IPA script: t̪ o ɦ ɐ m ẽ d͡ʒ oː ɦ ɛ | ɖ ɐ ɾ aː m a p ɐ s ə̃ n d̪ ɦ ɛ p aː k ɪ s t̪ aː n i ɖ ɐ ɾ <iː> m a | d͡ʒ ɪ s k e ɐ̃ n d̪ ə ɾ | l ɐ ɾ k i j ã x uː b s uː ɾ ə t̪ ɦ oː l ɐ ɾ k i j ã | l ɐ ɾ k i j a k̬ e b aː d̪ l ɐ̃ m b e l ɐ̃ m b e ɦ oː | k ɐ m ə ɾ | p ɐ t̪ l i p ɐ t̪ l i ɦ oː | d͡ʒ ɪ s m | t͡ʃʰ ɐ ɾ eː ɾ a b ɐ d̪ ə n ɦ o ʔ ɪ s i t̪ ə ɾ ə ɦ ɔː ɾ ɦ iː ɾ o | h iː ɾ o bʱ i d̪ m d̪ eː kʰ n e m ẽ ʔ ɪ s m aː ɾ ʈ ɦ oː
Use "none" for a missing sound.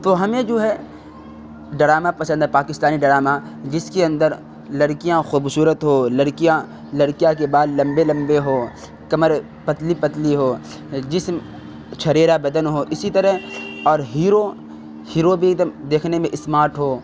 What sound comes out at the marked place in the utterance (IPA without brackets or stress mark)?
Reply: aː